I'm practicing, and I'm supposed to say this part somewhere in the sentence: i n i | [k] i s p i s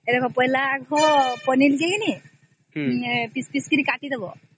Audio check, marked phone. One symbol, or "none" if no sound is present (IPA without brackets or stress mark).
p